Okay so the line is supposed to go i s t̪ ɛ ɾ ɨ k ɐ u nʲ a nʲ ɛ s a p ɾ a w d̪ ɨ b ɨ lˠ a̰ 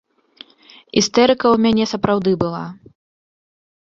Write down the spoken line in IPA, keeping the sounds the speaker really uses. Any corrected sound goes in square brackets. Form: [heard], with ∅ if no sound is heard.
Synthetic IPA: i s t̪ ɛ ɾ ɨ k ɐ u [mʲ] a nʲ ɛ s [ɐ] p ɾ a w d̪ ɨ b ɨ lˠ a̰